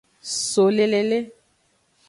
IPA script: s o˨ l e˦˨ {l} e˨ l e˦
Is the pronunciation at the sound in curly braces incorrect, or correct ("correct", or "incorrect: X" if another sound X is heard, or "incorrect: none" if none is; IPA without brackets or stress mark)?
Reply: correct